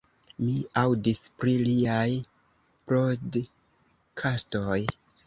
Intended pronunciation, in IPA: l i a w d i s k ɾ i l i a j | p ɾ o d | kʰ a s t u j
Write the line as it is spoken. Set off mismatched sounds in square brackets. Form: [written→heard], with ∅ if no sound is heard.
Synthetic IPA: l i a w d i s [k→p] ɾ i l i a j | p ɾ o d | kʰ a s t [u→o] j

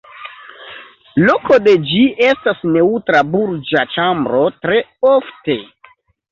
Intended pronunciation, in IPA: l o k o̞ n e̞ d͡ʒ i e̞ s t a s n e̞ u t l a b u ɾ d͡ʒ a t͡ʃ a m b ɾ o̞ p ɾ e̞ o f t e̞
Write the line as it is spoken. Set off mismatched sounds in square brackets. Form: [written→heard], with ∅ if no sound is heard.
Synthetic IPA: l o k o̞ [n→d] e̞ d͡ʒ i e̞ s t a s n e̞ u t [l→ɾ] a b u ɾ d͡ʒ a t͡ʃ a m b ɾ o̞ [p→t] ɾ e̞ o f t e̞

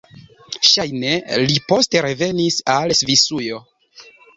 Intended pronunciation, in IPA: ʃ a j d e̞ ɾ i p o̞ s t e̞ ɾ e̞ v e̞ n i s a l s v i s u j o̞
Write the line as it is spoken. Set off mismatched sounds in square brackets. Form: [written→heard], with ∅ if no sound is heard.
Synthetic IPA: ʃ a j [d→n] e̞ [ɾ→l] i p o̞ s t e̞ ɾ e̞ v e̞ n i s a l s v i s u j o̞

